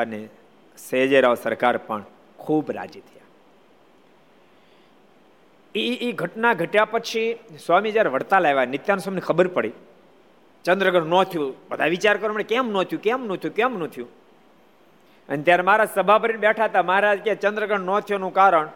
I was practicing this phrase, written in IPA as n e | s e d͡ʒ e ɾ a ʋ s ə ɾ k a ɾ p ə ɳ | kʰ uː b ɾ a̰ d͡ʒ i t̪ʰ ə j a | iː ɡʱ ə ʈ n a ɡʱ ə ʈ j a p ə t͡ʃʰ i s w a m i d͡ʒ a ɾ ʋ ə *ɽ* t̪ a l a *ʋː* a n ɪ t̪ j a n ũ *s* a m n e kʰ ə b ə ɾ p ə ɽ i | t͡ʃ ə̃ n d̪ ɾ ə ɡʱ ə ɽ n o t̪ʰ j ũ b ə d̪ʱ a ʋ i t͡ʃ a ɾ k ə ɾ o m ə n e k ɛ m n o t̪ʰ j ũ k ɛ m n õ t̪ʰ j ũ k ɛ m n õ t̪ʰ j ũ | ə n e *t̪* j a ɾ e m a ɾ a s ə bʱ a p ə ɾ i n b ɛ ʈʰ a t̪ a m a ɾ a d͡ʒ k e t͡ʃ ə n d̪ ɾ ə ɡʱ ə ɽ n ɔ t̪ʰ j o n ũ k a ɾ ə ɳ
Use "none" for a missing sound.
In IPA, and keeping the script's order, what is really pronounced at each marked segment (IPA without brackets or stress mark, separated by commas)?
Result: ɽ, ʋ, s, t̪